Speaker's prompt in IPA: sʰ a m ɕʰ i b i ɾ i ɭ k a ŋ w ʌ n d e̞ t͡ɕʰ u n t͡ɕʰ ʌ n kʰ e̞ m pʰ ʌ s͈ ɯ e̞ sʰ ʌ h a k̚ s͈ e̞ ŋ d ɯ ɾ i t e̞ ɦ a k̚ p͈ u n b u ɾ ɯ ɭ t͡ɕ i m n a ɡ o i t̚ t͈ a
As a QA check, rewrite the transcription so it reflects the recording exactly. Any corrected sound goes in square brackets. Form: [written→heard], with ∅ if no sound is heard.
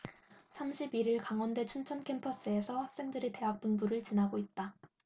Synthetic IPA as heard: sʰ a m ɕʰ i b i ɾ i ɭ k a ŋ w ʌ n d e̞ t͡ɕʰ u n t͡ɕʰ ʌ n kʰ e̞ m pʰ ʌ s͈ ɯ e̞ sʰ ʌ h a k̚ s͈ e̞ ŋ d ɯ ɾ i t e̞ ɦ a k̚ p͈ u n b u ɾ ɯ ɭ t͡ɕ i [m→∅] n a ɡ o i t̚ t͈ a